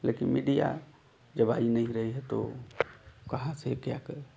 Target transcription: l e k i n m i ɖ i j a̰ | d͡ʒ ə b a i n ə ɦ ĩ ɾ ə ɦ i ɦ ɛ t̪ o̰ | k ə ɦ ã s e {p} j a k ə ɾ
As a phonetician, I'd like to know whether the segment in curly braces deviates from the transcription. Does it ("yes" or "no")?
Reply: yes